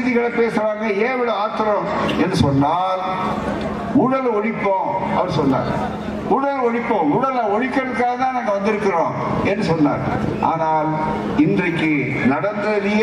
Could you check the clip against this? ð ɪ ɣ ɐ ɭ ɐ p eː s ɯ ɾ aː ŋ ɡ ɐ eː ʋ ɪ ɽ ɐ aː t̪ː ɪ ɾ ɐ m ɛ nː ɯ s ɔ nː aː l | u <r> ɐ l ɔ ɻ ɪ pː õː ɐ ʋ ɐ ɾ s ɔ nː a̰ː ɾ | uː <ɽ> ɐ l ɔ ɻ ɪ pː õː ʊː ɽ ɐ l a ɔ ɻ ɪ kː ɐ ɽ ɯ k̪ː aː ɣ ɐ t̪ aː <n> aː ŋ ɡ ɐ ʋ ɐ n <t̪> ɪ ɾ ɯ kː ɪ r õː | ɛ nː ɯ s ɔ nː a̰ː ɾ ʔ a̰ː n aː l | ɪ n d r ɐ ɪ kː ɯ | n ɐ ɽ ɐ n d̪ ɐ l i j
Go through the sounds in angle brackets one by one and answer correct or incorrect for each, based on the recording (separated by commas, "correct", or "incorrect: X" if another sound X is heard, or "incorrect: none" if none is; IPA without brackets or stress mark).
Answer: incorrect: ɽ, correct, correct, incorrect: d̪